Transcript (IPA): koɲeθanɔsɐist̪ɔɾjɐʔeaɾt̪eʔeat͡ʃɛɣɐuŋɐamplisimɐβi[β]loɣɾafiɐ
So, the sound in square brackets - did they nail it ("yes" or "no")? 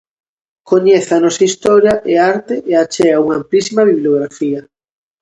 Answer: yes